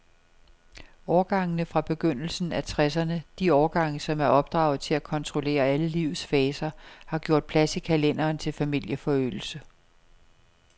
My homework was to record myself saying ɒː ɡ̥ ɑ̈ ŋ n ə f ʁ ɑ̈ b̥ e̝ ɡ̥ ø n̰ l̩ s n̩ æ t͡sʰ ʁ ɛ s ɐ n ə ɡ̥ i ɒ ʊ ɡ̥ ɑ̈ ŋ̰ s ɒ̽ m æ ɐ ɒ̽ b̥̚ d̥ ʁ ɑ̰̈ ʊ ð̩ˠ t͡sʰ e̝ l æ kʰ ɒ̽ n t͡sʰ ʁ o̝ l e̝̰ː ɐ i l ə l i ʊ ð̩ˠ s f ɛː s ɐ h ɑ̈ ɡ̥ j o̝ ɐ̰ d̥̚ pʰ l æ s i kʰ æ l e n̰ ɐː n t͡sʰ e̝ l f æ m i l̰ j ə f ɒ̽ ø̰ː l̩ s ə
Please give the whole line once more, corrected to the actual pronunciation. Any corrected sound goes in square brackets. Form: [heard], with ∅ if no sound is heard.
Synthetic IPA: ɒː ɡ̥ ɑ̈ ŋ n ə f ʁ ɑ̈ b̥ e̝ ɡ̥ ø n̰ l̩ s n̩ æ t͡sʰ ʁ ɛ s ɐ n ə [d̥] i ɒ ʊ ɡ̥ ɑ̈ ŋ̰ s ɒ̽ m æ ɐ ɒ̽ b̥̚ d̥ ʁ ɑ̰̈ ʊ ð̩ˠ t͡sʰ e̝ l æ kʰ ɒ̽ n t͡sʰ ʁ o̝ l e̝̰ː ɐ [æ] l ə l i ʊ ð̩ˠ s f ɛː s ɐ h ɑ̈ ɡ̥ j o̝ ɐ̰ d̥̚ pʰ l æ s i kʰ æ l e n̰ ɐː n t͡sʰ e̝ l f æ m i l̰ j ə f ɒ̽ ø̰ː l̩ s ə